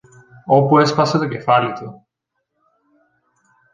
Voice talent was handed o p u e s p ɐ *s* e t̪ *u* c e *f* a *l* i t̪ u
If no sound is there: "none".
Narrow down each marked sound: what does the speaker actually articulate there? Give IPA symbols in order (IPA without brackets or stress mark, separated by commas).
s, o, f, l